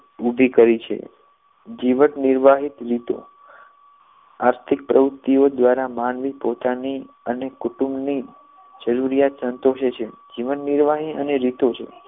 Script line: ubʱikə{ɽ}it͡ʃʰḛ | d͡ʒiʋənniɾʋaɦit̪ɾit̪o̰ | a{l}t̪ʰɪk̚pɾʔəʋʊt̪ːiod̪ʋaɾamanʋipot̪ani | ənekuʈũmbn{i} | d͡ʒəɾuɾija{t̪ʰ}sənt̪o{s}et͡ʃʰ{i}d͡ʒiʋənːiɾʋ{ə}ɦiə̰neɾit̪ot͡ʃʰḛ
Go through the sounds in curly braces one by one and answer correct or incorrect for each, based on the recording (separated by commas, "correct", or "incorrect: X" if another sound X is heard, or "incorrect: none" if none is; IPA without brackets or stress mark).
incorrect: ɾ, incorrect: ɾ, correct, incorrect: t̪, incorrect: ʃ, incorrect: e, incorrect: a